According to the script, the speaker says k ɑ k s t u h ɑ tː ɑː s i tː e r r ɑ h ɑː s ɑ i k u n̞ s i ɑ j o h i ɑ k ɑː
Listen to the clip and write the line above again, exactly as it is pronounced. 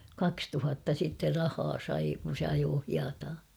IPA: k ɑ k s t u h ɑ tː ɑ s i tː e r r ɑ h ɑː s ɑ i k u n̞ s e ɑ j oː h i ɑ t ɑː